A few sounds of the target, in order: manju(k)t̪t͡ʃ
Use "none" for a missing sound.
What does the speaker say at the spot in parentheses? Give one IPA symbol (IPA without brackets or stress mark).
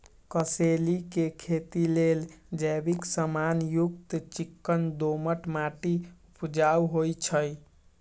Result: k